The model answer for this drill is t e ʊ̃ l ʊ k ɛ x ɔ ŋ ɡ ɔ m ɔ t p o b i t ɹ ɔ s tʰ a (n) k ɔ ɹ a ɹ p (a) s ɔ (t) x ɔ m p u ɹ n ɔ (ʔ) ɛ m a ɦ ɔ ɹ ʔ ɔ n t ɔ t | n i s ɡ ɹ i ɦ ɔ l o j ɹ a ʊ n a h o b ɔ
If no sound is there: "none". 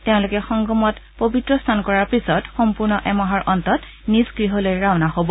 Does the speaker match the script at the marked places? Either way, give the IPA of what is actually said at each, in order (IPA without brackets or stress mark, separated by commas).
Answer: n, i, t, ʔ